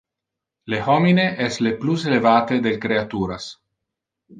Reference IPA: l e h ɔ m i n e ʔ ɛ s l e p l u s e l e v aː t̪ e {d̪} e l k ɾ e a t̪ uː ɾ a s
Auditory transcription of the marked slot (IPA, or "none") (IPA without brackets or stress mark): d̪